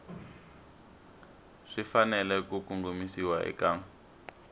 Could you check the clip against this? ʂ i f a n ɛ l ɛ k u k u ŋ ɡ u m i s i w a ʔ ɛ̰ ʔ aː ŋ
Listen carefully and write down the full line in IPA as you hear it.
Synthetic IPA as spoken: ʂ i f a n ɛ l ɛ k u k u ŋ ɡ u m i s i w a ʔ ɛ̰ k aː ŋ